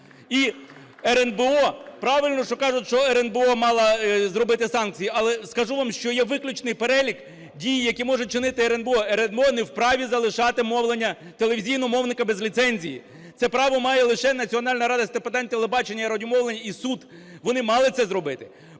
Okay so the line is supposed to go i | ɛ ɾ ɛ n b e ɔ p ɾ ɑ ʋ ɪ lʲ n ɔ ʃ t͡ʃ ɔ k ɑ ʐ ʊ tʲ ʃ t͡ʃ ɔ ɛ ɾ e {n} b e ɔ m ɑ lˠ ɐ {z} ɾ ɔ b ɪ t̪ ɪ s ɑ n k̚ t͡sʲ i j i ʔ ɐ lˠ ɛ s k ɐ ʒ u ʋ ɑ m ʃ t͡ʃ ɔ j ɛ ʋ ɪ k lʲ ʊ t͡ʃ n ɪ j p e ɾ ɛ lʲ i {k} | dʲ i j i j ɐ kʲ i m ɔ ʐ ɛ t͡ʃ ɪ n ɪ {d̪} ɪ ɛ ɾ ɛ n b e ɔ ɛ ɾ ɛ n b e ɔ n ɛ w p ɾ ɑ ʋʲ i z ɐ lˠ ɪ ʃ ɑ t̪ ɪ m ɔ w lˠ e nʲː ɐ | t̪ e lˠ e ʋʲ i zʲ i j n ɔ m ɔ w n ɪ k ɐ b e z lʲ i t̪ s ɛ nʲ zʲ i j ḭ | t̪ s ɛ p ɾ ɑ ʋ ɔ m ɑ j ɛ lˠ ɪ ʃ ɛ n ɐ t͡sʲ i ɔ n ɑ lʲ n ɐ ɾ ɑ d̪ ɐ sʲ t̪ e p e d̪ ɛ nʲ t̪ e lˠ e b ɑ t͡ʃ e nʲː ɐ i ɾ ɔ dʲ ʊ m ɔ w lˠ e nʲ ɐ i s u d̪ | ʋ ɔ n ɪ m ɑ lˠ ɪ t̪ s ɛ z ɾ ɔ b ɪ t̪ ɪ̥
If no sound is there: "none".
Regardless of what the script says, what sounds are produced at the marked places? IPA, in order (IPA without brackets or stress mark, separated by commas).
n, z, k, t̪